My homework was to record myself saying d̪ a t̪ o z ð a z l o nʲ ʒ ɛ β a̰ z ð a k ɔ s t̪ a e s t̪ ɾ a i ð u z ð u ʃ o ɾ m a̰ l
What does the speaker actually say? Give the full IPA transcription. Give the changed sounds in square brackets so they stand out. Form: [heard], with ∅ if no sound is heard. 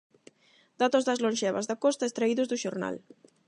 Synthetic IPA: d̪ a t̪ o z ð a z l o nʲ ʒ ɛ β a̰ z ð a k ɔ s t̪ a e s t̪ ɾ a i ð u z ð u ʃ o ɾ [n] a̰ l